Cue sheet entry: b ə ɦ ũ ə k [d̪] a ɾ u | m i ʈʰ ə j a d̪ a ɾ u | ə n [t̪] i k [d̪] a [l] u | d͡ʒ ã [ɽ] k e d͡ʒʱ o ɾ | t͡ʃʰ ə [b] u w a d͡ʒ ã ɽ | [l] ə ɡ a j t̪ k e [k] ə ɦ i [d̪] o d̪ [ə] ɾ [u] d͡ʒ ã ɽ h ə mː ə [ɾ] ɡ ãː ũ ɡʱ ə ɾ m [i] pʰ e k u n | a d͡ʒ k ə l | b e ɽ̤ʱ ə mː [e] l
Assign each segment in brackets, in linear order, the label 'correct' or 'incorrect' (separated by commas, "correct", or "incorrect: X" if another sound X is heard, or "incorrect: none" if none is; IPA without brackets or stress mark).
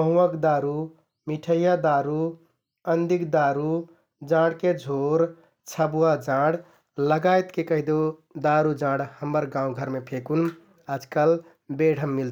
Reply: correct, incorrect: d̪, correct, incorrect: ɾ, correct, correct, correct, correct, correct, incorrect: a, correct, correct, incorrect: e, incorrect: i